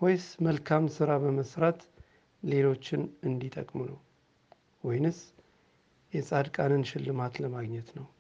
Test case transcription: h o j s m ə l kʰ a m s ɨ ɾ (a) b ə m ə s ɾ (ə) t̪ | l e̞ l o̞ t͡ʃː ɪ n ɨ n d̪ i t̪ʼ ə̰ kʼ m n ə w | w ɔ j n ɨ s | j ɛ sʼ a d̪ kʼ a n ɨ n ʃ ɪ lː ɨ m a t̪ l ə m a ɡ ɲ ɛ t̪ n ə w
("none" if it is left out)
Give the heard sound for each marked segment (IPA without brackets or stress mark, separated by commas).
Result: a, a